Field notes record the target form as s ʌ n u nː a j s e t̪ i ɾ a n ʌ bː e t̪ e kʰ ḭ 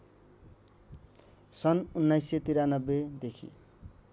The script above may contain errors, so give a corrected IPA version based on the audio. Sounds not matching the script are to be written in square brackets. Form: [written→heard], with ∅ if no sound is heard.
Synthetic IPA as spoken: s ʌ n u nː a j s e t̪ i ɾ a n ʌ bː e [t̪→d̪] e kʰ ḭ